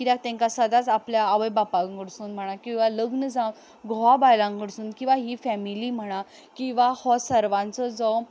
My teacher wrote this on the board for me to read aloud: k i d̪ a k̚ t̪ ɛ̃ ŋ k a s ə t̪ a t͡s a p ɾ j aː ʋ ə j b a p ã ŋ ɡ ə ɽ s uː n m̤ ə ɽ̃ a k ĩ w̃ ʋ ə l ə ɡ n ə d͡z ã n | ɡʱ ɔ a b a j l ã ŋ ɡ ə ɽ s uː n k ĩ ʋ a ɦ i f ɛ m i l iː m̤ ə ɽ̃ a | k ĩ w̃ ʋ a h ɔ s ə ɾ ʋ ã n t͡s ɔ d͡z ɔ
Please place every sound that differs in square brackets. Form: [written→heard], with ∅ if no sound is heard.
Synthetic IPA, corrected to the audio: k i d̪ a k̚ t̪ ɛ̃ ŋ k a s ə [t̪→d̪] a t͡s a p [ɾ→l] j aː ʋ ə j b a p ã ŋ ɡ ə ɽ s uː n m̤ ə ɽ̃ a k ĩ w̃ ʋ [ə→a] l ə ɡ n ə d͡z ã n | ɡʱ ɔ a b a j l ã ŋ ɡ ə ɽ s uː n k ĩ ʋ a ɦ i f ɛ m i l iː m̤ ə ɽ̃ a | k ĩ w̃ ʋ a h ɔ s ə ɾ ʋ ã n t͡s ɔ d͡z ɔ

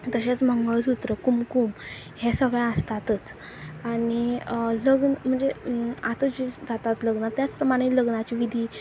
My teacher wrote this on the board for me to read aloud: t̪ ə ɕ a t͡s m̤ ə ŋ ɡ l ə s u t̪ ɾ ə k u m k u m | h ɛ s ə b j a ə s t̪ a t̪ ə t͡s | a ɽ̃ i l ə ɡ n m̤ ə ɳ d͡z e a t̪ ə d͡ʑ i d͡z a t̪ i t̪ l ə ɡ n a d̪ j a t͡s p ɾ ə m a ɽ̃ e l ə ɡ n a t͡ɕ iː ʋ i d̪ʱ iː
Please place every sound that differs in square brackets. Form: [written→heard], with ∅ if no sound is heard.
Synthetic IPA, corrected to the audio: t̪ ə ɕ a t͡s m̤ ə ŋ ɡ [l→ɭ] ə s u t̪ ɾ ə k u m k u m | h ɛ s ə [b→ɡ] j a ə s t̪ a t̪ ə t͡s | a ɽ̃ i l ə ɡ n m̤ ə ɳ d͡z e a t̪ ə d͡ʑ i d͡z a t̪ [i→a] t̪ l ə ɡ n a [d̪→t̪] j a t͡s p ɾ ə m a ɽ̃ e l ə ɡ n a t͡ɕ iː ʋ i d̪ʱ iː

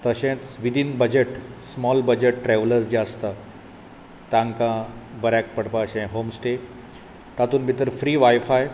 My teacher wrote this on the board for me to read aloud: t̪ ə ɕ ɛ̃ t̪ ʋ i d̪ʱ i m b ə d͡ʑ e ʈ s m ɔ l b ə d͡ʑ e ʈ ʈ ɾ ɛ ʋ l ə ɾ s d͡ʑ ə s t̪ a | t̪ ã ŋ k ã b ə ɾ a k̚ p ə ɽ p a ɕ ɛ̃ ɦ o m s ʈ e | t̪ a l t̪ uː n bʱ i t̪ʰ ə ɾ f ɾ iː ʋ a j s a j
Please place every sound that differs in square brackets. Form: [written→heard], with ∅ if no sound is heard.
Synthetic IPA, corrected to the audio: t̪ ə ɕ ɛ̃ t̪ ʋ i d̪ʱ i [m→n] b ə d͡ʑ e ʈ s m ɔ l b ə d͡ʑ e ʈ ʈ ɾ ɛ ʋ l ə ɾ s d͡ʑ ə s t̪ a | t̪ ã ŋ k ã b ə ɾ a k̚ p ə ɽ p a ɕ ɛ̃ ɦ o m s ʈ e | t̪ a [l→∅] t̪ uː n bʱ i [t̪ʰ→t̪] ə ɾ f ɾ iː ʋ a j [s→f] a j

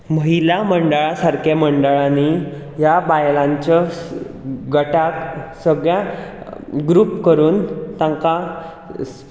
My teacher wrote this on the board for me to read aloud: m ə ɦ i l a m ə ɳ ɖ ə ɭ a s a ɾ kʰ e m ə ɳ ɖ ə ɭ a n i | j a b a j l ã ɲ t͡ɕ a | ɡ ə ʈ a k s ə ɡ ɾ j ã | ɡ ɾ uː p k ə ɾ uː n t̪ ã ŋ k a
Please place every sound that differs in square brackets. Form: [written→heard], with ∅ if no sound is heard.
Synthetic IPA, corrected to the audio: m ə ɦ i l a m ə ɳ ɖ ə ɭ a s a ɾ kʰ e m ə ɳ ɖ ə ɭ a n i | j a b a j l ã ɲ t͡ɕ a | ɡ ə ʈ a k s ə ɡ [ɾ→ɭ] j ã | ɡ ɾ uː p k ə ɾ uː n t̪ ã ŋ k a

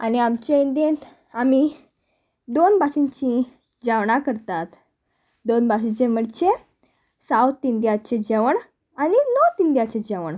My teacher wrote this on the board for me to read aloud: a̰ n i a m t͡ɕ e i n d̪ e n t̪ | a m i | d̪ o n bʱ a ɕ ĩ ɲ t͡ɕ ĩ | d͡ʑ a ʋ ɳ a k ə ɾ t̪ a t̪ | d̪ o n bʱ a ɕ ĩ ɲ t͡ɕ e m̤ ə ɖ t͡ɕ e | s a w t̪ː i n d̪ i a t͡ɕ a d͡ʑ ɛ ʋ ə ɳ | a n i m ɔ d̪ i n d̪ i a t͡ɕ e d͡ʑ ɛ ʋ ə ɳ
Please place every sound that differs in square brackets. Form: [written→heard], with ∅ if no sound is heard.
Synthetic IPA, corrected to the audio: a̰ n i a m t͡ɕ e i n d̪ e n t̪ | a m i | d̪ o n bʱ a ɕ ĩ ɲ t͡ɕ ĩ | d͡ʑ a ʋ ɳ a k ə ɾ t̪ a t̪ | d̪ o n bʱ a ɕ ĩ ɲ t͡ɕ e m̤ ə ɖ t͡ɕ e | s a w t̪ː i n d̪ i a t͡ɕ [a→e] d͡ʑ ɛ ʋ ə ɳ | a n i [m→n] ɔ [d̪→t̪] i n d̪ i a t͡ɕ e d͡ʑ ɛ ʋ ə ɳ

